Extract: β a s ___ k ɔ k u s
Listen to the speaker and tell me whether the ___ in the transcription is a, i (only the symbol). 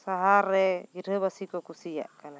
i